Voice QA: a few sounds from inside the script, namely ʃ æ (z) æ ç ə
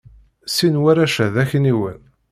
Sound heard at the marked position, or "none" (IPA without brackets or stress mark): ð